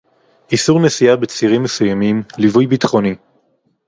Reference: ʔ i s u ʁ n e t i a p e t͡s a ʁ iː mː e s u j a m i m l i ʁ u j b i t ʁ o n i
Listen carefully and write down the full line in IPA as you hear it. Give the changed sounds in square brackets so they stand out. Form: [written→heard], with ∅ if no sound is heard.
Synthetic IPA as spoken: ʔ i s u ʁ n e [t→s] i a [p→b] e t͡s [a→i] ʁ [iː→i] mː e s u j a m i m l i [ʁ→v] u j b i t [ʁ→χ] o n i